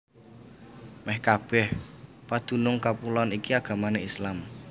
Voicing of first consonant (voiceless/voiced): voiced